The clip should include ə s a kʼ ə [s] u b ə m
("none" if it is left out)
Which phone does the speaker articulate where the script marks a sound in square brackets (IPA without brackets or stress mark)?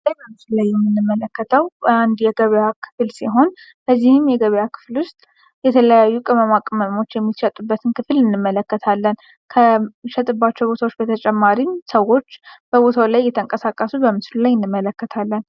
s